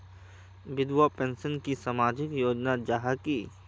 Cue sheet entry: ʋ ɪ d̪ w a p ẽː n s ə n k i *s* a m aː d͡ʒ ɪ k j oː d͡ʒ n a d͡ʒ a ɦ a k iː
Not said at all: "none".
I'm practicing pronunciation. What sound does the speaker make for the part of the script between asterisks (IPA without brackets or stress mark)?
s